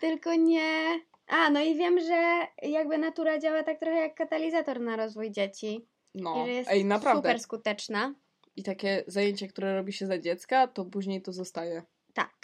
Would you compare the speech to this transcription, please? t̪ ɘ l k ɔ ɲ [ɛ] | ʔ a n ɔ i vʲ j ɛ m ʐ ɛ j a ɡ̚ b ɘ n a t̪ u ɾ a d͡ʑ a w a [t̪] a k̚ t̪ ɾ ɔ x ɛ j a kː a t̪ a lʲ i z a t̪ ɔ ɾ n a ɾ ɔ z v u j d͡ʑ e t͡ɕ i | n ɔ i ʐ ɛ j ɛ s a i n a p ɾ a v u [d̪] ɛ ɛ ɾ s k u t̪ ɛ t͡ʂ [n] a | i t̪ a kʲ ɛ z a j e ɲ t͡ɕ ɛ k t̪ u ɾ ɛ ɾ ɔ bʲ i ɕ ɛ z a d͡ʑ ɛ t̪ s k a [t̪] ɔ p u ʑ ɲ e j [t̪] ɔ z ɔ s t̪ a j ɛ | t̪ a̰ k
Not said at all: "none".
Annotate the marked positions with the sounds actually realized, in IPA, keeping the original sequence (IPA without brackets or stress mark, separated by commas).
ɛ, t̪, d̪, n, t̪, t̪